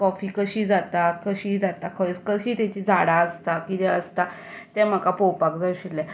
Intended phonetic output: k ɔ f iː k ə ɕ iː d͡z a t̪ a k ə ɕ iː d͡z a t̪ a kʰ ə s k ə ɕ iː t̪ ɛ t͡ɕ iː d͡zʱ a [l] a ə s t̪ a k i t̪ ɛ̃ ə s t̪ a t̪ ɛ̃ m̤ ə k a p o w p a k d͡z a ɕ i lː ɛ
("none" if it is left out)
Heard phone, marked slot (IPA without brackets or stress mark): ɽ